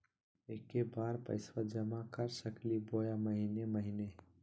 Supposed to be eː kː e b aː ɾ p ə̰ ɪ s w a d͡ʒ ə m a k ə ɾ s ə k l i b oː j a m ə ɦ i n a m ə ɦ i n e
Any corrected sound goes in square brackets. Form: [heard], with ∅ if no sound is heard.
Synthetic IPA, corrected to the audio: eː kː e b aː ɾ p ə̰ ɪ s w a d͡ʒ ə m a k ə ɾ s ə k l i b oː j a m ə ɦ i n [e] m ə ɦ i n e

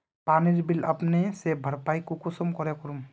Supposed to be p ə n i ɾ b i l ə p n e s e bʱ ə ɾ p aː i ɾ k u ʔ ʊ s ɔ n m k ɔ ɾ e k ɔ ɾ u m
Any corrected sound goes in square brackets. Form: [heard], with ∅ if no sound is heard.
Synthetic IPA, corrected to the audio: p [a] n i ɾ b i l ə p n e s e bʱ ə ɾ p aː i [∅] k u [k] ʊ s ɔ [∅] m k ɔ ɾ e k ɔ ɾ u m

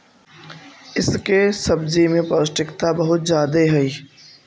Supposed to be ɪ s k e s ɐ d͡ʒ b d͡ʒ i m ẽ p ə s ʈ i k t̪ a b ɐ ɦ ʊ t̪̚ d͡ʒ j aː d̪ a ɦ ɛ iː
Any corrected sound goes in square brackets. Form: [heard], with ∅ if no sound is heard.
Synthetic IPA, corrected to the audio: ɪ s k e s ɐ [∅] b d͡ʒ i m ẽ p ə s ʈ [ɪ] k t̪ a b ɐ ɦ ʊ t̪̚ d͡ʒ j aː d̪ [e] ɦ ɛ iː

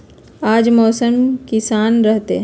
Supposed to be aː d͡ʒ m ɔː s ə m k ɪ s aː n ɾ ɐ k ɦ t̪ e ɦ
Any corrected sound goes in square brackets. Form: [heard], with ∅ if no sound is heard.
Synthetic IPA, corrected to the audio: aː d͡ʒ m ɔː s ə m k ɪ s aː n ɾ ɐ [∅] ɦ t̪ e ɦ

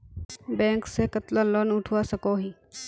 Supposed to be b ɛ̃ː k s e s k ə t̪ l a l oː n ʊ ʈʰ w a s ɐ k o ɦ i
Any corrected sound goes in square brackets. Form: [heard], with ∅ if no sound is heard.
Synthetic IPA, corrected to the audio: b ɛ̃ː k s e [∅] k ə t̪ l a l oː n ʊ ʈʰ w a s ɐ k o ɦ i

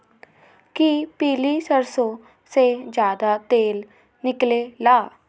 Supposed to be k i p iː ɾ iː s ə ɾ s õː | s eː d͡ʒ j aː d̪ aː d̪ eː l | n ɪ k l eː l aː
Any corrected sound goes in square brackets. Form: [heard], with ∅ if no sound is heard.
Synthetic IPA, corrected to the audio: k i p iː [l] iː s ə ɾ s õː | s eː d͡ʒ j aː d̪ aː [t̪] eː l | n ɪ k l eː l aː

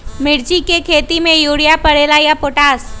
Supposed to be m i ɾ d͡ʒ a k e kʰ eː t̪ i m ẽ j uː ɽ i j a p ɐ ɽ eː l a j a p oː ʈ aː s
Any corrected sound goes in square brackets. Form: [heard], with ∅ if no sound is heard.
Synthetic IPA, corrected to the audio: m [ɪ] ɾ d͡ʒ [i] k e kʰ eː t̪ i m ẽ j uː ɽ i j a p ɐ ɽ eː l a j a p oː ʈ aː s

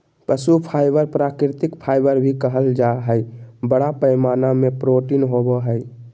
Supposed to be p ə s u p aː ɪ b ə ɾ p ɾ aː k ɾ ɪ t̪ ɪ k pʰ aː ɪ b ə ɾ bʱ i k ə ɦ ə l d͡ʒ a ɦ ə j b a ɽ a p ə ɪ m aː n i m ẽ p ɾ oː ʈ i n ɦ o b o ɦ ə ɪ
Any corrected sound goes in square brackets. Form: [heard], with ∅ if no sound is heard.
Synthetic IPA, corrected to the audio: p ə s u [pʰ] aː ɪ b ə ɾ p ɾ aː k ɾ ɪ t̪ ɪ k pʰ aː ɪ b ə ɾ bʱ i k ə ɦ ə l d͡ʒ a ɦ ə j b [ə] ɽ a p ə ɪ m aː n [a] m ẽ p ɾ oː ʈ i n ɦ o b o ɦ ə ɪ

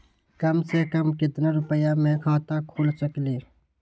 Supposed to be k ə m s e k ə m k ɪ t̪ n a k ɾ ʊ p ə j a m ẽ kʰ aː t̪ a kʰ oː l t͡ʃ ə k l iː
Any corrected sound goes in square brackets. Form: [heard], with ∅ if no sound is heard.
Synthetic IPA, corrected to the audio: k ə m s e k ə m k ɪ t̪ n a [∅] ɾ ʊ p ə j a m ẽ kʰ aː t̪ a kʰ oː l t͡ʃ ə k l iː

